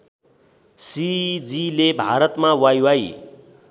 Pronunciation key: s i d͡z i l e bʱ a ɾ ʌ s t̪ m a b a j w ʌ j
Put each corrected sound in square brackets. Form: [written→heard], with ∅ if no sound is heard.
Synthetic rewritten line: s i d͡z i l e bʱ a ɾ ʌ [s→∅] t̪ m a [b→w] a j w [ʌ→a] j